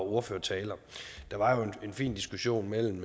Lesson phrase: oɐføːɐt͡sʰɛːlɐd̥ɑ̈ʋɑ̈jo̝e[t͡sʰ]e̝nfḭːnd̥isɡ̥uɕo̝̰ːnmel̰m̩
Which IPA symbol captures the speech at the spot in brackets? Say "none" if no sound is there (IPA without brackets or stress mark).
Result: none